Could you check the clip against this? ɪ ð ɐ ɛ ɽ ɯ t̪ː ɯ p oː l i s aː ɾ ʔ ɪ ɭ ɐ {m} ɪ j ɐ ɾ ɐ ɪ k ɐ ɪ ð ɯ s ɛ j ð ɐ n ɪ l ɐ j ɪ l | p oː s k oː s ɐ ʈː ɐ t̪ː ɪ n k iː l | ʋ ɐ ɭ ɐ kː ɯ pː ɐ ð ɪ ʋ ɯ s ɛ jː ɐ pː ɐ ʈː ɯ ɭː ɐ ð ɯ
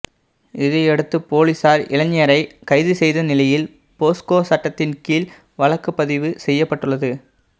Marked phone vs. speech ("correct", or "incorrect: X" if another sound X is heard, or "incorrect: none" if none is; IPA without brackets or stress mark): incorrect: ɲ